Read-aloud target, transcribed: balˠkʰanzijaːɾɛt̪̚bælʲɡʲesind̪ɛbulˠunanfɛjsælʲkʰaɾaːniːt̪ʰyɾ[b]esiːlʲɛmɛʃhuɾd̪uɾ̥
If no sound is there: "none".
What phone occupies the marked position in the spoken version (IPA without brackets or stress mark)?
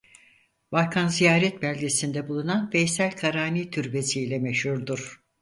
b